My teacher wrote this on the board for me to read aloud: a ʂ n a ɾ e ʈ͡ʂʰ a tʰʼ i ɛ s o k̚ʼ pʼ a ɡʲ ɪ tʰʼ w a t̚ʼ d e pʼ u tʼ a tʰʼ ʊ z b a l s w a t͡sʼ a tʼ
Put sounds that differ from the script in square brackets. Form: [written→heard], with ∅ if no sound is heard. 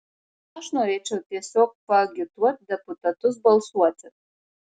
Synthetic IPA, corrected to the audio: a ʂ n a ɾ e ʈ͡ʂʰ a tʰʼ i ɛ s o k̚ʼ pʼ a ɡʲ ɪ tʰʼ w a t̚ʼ d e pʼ u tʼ a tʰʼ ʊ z b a l s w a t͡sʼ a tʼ